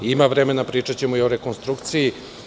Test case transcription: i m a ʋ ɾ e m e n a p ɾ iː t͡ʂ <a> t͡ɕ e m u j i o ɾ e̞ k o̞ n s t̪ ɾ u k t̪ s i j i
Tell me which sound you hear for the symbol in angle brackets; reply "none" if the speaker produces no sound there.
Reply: a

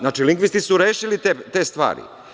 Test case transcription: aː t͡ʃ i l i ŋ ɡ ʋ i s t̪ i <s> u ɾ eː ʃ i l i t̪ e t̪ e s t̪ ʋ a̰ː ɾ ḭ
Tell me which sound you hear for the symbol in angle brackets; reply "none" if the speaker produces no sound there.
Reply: s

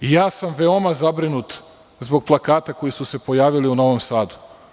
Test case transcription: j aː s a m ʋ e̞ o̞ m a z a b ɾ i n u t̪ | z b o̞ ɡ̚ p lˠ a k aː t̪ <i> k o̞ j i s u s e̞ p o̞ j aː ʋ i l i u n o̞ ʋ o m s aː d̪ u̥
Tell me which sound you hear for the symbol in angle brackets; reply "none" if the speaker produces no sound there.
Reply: a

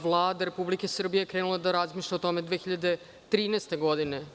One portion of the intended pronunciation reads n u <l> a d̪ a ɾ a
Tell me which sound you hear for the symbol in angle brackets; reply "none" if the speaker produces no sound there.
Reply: l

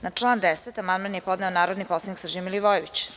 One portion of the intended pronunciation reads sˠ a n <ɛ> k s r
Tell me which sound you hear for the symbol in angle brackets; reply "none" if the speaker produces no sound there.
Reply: i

